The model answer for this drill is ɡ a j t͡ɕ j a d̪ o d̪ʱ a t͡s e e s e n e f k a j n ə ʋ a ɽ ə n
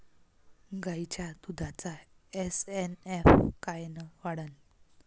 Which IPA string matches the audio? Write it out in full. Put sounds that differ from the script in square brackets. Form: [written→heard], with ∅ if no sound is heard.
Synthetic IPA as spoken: ɡ a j t͡ɕ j a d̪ [o→u] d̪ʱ a t͡s [e→a] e s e n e f k a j n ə ʋ a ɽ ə n